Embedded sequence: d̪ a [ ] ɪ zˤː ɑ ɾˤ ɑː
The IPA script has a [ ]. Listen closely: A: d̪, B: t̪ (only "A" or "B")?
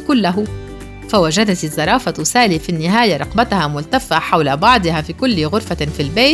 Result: B